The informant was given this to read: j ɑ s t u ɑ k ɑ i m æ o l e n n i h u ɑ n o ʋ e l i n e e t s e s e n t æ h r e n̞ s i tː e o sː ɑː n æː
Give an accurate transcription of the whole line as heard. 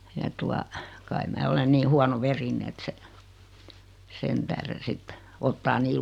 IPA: j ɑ t u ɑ k ɑ i m æː o l e n n iː h u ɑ n o ʋ e r i n e e t s e s e n t æ h r e n̞ s i tː e o tː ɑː n iː